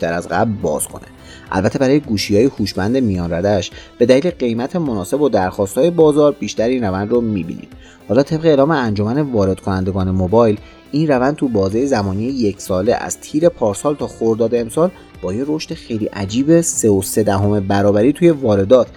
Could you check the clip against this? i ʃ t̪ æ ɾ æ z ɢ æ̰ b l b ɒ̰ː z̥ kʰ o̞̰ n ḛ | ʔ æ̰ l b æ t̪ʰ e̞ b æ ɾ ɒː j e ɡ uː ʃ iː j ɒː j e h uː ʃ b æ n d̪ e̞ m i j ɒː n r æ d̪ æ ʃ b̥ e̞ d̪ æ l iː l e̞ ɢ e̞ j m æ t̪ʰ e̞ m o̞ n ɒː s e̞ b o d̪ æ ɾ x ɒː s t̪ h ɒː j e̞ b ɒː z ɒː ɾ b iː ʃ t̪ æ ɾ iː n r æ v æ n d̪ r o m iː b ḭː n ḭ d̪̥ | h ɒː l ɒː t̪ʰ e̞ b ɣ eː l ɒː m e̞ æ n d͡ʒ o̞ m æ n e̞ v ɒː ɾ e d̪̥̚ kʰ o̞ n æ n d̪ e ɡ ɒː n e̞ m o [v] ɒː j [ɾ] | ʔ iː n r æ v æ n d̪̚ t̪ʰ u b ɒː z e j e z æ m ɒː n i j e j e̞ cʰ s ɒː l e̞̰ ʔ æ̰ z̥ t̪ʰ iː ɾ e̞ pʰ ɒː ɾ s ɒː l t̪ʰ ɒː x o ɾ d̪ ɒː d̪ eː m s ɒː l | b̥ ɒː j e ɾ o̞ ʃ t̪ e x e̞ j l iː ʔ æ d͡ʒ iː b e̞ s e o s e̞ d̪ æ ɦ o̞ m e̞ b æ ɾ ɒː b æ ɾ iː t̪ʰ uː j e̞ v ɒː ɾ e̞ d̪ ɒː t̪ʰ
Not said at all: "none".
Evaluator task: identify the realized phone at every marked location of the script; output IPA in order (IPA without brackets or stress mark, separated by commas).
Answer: b, l